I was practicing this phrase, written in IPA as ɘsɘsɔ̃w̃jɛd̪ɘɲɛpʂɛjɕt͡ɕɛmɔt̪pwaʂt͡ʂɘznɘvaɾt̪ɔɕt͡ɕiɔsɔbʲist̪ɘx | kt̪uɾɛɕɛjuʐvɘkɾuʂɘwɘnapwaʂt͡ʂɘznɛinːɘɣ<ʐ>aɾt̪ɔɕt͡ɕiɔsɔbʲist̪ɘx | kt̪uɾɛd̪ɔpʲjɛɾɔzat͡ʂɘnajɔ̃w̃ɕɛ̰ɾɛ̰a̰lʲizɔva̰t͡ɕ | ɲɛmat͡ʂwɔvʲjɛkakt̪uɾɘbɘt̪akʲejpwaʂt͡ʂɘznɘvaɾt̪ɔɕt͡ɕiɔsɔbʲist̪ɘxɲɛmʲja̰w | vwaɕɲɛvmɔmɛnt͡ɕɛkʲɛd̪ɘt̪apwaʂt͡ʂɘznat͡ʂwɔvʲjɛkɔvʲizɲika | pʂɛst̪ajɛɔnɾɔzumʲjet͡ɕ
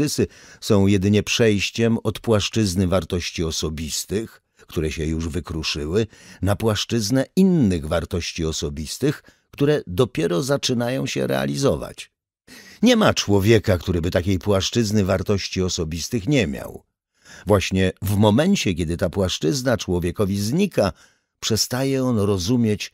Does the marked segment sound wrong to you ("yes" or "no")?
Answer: yes